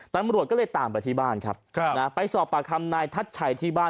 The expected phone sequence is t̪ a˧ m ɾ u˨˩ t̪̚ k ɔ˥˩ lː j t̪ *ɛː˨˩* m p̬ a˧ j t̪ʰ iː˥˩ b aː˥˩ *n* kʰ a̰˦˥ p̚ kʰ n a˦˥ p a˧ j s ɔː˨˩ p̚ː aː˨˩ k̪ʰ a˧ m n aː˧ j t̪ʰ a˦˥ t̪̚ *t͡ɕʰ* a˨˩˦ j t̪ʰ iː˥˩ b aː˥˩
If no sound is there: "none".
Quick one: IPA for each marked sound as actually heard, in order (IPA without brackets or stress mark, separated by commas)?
aː˨˩, n, t͡ɕʰ